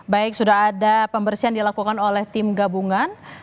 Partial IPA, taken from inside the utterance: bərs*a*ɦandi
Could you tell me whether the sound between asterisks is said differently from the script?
yes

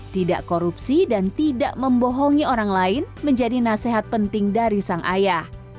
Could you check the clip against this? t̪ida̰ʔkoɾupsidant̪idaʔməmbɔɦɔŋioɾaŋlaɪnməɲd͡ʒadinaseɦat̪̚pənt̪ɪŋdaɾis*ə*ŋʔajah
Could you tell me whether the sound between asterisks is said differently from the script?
yes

